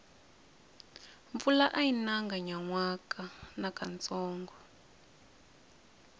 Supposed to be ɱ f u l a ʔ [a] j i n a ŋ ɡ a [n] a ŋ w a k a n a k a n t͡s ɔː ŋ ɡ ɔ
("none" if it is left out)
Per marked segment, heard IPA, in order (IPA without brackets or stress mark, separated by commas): a, ɲ